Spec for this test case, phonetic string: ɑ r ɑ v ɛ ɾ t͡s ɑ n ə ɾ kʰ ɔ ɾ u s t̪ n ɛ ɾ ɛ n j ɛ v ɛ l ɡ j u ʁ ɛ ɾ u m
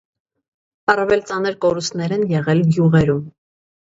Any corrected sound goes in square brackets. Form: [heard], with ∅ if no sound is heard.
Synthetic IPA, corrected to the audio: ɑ r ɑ v ɛ [l] t͡s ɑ n ə ɾ [k] ɔ ɾ u s t̪ n ɛ ɾ ɛ n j ɛ [ʁ] ɛ l ɡ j u ʁ ɛ ɾ u m